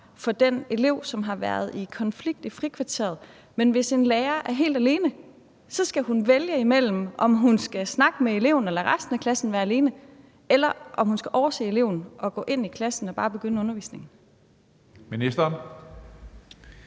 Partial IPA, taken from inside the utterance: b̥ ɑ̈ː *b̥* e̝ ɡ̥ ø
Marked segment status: correct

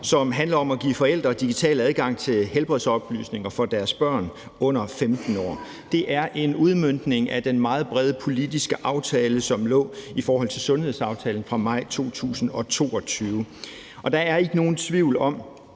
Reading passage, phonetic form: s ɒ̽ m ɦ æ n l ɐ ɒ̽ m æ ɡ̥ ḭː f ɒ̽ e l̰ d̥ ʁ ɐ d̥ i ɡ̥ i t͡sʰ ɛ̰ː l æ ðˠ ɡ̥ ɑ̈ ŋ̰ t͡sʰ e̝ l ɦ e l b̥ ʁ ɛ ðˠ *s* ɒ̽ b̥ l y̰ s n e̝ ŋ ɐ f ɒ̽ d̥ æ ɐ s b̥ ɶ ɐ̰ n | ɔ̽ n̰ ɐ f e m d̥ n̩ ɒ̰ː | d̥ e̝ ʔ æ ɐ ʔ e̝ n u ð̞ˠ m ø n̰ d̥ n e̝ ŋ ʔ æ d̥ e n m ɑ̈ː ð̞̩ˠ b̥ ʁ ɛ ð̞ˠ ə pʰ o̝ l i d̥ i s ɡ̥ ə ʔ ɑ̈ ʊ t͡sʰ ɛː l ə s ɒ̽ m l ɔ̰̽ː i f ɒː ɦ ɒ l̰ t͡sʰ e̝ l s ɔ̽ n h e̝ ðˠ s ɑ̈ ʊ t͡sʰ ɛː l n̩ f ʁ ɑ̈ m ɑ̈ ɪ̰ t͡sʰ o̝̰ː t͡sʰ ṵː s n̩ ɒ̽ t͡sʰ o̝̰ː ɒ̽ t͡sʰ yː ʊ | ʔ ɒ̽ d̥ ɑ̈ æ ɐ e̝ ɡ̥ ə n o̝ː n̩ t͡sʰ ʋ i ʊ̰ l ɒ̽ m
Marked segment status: correct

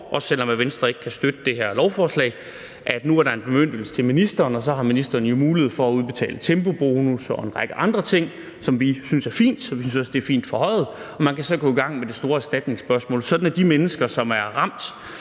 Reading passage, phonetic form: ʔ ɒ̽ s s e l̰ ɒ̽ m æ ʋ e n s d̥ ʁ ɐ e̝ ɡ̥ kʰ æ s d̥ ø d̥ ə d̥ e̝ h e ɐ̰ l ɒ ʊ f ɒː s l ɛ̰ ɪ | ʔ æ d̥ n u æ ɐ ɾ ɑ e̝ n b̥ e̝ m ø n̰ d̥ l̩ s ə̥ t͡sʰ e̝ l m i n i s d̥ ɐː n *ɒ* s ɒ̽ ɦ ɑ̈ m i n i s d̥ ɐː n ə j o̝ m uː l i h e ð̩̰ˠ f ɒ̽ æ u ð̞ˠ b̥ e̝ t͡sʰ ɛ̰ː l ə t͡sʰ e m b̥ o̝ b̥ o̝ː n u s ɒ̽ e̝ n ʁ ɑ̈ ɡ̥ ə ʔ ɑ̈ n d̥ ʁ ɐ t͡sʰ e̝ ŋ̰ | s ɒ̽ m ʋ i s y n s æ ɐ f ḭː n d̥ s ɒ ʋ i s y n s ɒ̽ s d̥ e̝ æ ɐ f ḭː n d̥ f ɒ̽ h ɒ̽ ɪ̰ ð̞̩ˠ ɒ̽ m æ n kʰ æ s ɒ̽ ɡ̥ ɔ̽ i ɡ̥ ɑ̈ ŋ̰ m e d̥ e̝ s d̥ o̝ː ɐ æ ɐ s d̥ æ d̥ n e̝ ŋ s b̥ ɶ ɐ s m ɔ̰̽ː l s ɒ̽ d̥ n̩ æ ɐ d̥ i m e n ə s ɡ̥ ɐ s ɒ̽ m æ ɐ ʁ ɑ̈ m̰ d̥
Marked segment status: correct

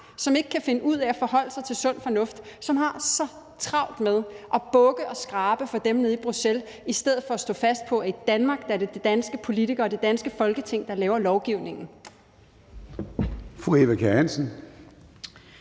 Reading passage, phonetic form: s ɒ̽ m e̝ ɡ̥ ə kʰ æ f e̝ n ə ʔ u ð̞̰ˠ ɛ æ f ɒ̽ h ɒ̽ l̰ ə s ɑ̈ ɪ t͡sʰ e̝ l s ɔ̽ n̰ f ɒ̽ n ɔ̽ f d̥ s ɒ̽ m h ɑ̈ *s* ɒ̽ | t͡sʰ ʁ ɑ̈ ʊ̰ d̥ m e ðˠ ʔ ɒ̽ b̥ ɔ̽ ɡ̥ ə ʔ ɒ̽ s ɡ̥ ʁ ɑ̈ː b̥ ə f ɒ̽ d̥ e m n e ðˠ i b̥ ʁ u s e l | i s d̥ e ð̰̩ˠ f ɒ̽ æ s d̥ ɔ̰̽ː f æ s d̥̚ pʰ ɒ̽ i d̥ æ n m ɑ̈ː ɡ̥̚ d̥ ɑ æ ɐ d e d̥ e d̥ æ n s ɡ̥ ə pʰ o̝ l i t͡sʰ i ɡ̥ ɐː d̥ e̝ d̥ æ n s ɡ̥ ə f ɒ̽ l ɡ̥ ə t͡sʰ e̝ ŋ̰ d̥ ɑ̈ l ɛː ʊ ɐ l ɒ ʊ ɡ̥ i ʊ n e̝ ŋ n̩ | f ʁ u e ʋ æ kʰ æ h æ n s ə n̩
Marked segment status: correct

